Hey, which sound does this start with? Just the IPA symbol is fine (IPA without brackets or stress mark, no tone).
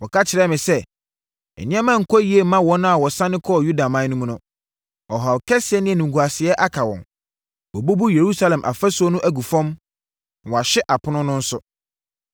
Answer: w